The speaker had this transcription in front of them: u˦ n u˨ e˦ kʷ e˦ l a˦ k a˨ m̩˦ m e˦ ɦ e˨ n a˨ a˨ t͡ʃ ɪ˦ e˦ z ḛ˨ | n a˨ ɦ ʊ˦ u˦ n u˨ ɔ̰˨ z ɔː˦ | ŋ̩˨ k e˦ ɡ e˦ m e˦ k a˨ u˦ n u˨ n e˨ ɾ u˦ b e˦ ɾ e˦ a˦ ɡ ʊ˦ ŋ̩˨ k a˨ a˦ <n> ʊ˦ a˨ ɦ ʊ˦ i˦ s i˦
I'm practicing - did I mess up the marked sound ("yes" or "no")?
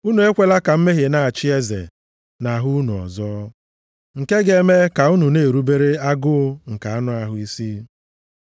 no